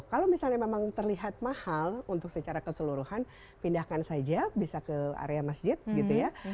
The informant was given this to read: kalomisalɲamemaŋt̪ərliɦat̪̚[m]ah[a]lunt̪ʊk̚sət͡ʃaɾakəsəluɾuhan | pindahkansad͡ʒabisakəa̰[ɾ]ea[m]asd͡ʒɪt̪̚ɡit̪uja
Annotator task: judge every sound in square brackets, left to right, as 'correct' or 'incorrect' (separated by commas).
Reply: correct, correct, correct, correct